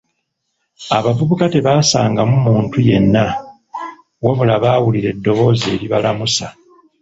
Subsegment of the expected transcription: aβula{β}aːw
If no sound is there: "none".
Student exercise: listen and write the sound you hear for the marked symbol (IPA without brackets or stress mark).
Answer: β